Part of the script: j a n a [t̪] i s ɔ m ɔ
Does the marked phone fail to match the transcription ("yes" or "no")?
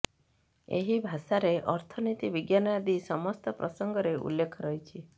yes